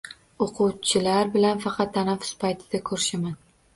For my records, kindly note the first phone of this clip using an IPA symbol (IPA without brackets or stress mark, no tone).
o